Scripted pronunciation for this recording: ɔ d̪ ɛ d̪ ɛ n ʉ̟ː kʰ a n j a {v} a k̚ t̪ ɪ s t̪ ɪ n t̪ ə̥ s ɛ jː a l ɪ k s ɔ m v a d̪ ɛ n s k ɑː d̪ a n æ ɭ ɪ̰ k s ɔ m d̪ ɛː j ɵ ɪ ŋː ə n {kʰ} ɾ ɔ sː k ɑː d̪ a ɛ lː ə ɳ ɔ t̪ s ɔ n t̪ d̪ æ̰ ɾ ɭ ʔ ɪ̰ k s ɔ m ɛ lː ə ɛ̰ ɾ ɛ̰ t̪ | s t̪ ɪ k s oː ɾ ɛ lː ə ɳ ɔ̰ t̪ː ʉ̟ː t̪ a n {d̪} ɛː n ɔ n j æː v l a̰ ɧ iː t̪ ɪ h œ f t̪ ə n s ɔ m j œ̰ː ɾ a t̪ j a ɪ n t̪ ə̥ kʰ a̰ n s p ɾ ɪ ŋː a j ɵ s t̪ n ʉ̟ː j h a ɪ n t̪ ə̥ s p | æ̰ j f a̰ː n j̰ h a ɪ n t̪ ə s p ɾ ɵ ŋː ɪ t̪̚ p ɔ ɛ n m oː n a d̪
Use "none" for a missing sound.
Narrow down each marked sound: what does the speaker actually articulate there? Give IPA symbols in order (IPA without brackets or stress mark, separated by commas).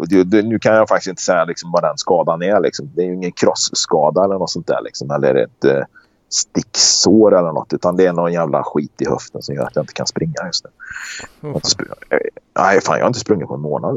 f, kʰ, d̪